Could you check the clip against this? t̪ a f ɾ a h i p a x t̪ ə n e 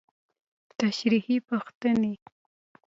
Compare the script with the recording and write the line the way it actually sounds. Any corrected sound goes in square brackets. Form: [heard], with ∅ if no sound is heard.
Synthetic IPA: t̪ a [ʃ] ɾ [i] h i p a x t̪ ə n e